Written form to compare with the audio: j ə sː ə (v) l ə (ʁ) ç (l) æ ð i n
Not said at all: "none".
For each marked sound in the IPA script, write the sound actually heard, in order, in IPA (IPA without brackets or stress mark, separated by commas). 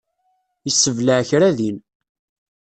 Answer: v, ʕ, ɾ